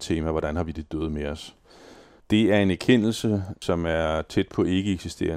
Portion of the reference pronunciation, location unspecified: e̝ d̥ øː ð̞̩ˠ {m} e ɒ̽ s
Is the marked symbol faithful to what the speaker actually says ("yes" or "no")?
yes